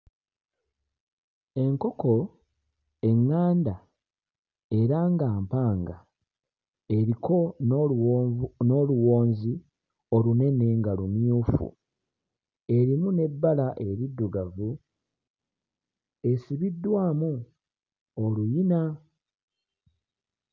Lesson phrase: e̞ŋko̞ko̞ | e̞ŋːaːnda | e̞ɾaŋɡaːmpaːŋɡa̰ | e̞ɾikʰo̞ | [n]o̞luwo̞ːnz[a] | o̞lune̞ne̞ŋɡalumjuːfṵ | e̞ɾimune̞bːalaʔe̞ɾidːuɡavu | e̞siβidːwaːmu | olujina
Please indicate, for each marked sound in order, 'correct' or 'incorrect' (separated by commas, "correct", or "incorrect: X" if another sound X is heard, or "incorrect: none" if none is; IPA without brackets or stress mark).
correct, incorrect: i